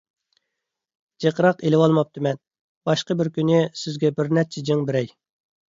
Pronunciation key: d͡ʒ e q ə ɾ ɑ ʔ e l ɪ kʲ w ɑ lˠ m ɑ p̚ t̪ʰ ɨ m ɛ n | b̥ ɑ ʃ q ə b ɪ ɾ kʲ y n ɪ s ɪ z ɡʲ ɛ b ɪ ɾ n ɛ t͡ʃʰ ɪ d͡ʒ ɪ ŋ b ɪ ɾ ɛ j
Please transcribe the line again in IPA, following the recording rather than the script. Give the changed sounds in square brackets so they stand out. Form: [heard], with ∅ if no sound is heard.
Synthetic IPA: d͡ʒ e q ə ɾ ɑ [q] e l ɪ [∅] w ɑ lˠ m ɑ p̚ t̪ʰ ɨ m ɛ n | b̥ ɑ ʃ q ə b ɪ ɾ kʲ y n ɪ s ɪ z ɡʲ ɛ b ɪ ɾ n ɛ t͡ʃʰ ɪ d͡ʒ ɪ ŋ b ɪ ɾ ɛ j